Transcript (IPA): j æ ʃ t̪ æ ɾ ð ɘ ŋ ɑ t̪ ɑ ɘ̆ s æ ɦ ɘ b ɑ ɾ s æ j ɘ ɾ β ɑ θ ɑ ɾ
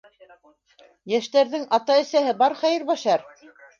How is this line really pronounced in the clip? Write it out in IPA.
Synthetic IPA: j æ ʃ t̪ æ ɾ ð ɘ ŋ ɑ t̪ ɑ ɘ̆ s æ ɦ ɘ b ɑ ɾ χ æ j ɘ ɾ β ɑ ʃ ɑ ɾ